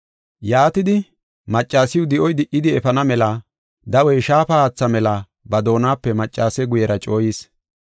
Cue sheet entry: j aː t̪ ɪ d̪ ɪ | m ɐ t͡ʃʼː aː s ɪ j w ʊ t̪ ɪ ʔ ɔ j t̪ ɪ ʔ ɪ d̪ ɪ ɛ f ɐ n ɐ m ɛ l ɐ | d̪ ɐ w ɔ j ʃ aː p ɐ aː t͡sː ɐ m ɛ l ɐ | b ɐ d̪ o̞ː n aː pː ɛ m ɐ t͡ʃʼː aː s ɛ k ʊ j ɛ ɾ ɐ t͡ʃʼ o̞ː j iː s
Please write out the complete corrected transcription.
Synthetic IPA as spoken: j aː t̪ ɪ d̪ ɪ | m ɐ t͡ʃʼː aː s ɪ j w ʊ d̪ ɪ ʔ ɔ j d̪ ɪ ʔ ɪ d̪ ɪ ɛ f ɐ n ɐ m ɛ l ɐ | d̪ ɐ w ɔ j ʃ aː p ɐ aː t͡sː ɐ m ɛ l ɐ | b ɐ d̪ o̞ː n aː pː ɛ m ɐ t͡ʃʼː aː s ɛ ɡ ʊ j ɛ ɾ ɐ t͡ʃʼ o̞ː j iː s